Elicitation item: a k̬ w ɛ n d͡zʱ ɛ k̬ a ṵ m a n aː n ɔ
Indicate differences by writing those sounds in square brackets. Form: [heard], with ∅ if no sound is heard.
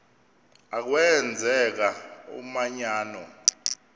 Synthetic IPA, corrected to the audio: a k̬ w ɛ n d͡zʱ ɛ k̬ a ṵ m a [ɲ] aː n ɔ